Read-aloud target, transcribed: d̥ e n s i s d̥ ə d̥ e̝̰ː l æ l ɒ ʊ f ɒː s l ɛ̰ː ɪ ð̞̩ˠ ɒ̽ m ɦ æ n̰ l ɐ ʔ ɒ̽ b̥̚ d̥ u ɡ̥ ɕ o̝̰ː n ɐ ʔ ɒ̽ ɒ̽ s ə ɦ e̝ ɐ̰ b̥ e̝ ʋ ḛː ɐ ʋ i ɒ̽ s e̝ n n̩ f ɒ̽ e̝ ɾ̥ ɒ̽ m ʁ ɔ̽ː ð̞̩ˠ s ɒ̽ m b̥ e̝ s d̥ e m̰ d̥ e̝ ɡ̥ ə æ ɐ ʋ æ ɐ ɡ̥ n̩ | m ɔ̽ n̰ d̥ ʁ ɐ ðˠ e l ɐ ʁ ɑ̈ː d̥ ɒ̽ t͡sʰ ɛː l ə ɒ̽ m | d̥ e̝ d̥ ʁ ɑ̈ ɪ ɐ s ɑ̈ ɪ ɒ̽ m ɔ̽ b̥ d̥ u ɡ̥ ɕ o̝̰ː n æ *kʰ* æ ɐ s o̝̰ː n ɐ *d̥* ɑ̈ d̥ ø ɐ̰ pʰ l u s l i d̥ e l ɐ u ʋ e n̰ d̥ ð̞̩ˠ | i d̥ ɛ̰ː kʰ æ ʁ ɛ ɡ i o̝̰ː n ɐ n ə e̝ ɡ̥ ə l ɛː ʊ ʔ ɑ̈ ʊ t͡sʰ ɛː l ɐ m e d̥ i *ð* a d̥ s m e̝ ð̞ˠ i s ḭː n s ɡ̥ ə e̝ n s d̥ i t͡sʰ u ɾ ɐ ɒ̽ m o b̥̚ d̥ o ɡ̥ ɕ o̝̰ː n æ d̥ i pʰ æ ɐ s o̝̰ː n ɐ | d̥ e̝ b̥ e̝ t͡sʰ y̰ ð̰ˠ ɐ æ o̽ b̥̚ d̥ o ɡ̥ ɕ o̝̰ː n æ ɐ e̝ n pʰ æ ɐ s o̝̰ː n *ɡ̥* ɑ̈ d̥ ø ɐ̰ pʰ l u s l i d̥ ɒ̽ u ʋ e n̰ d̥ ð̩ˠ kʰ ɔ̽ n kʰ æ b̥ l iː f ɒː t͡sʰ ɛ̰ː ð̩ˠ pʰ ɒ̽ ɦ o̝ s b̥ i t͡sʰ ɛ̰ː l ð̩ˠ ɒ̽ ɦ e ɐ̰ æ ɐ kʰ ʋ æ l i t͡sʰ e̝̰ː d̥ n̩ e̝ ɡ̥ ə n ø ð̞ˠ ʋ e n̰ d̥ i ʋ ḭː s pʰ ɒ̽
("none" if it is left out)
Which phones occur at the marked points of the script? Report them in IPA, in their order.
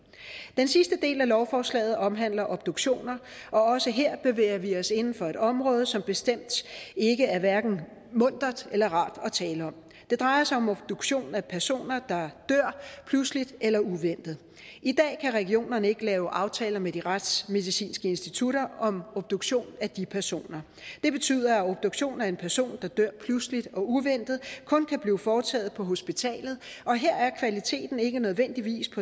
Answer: pʰ, d̥, ʁ, d̥

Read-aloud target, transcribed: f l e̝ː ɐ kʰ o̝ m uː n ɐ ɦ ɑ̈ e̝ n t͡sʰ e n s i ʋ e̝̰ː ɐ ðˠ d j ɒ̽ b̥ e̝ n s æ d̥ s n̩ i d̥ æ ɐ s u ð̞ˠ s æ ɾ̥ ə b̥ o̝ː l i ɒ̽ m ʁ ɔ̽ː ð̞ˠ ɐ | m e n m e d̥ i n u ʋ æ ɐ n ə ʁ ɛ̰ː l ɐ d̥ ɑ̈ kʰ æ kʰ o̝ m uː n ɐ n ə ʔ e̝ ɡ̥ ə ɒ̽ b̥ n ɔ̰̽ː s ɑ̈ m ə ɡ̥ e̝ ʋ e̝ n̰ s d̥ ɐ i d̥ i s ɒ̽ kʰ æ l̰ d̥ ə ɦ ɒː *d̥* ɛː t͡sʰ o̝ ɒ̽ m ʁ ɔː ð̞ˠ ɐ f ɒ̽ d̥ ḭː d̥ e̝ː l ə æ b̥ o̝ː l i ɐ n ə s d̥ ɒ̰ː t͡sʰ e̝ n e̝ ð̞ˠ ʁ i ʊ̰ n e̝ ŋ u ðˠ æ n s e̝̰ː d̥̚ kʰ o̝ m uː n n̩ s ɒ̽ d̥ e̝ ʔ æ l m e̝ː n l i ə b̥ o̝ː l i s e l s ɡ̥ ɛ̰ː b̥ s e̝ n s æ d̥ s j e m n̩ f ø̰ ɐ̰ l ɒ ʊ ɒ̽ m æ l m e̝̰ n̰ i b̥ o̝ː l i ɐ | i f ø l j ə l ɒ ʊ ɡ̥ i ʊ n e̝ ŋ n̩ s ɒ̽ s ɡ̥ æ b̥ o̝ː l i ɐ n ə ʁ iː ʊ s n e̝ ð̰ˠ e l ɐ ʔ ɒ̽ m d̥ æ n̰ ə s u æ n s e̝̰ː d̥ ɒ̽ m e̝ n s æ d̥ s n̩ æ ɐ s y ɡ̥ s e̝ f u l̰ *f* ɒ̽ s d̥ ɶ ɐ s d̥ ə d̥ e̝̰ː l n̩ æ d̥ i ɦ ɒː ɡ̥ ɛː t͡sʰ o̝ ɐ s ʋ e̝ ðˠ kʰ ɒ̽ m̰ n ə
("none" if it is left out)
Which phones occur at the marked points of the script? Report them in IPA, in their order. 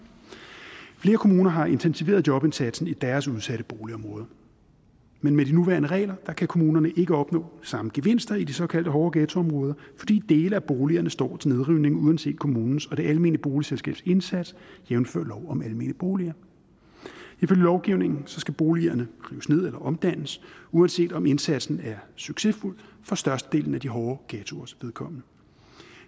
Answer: ɡ̥, f

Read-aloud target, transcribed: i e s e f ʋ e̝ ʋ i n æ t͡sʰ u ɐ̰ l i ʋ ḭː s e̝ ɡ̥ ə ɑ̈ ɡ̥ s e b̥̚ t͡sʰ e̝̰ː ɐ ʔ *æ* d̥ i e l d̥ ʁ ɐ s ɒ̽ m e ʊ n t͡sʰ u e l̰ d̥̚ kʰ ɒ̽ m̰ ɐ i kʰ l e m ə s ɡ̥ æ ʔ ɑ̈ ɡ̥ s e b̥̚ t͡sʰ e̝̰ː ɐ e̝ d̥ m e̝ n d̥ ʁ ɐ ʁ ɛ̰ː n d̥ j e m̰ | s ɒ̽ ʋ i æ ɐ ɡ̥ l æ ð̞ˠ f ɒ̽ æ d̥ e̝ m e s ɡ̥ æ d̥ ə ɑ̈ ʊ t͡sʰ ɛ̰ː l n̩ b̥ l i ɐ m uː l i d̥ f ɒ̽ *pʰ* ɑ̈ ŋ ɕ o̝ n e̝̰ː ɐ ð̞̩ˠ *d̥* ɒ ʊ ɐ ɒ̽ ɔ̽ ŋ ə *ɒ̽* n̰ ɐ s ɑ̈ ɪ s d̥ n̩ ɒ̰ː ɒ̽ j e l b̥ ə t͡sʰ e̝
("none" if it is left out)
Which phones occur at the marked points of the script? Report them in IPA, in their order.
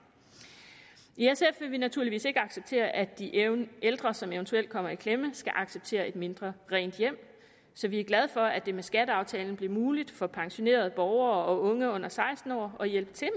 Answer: æ, pʰ, b̥, ɔ̽

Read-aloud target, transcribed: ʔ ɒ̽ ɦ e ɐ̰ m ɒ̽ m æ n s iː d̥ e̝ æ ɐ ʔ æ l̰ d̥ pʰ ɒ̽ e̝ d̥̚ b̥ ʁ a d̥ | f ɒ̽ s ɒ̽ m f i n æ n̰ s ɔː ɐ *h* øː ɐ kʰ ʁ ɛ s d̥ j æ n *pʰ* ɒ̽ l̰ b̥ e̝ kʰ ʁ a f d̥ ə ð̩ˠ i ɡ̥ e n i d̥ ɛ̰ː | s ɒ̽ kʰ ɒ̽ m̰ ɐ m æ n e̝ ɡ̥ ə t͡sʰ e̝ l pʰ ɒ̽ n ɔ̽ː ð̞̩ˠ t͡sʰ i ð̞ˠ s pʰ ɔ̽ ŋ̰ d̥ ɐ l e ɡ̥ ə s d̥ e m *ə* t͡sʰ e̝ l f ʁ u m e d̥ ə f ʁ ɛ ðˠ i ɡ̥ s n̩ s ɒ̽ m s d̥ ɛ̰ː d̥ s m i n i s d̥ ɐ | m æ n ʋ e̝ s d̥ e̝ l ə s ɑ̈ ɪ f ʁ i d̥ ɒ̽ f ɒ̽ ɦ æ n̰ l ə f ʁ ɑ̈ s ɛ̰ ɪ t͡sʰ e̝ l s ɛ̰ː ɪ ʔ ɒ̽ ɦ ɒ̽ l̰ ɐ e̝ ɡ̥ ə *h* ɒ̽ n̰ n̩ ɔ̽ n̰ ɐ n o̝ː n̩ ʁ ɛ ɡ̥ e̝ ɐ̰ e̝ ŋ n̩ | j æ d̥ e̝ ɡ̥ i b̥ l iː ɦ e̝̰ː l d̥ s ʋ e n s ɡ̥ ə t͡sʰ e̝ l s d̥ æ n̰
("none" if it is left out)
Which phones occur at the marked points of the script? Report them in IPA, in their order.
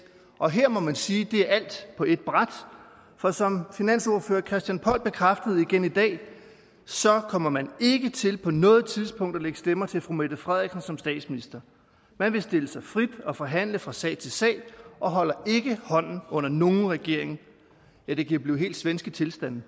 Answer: f, pʰ, ɐ, h

